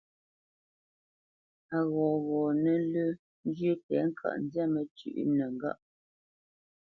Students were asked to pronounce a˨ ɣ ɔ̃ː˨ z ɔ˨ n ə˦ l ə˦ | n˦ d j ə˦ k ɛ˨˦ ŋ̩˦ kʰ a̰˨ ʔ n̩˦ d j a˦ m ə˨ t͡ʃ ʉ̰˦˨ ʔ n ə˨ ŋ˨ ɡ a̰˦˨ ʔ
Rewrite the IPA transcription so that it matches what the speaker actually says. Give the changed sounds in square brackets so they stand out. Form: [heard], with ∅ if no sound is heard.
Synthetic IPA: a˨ ɣ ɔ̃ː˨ [ɣ] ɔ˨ n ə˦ l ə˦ | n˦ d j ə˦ [t] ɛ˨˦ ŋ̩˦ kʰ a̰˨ ʔ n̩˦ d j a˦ m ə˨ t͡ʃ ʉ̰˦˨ ʔ n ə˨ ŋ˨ ɡ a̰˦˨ ʔ